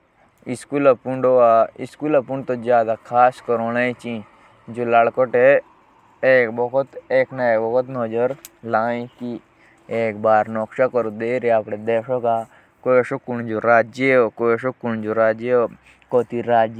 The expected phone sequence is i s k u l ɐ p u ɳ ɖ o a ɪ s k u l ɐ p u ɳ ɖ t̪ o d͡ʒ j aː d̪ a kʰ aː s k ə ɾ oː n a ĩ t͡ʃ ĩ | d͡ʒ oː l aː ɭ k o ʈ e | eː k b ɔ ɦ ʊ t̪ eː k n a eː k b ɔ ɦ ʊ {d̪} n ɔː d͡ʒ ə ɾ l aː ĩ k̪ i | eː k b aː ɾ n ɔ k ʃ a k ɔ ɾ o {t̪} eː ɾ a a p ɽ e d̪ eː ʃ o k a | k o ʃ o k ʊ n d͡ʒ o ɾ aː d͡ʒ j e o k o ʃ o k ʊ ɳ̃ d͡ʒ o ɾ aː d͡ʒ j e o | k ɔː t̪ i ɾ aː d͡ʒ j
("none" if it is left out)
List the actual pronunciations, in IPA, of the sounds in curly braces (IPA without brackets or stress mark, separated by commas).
t̪, d̪